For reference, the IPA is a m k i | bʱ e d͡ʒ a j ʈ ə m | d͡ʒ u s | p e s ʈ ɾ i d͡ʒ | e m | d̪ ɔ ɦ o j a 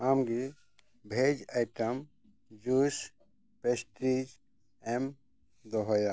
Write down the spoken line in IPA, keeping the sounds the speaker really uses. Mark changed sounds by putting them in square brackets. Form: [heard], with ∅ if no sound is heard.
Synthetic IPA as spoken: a m [ɡ] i | bʱ e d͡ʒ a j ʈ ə m | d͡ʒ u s | p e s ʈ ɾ i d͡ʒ | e m | d̪ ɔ ɦ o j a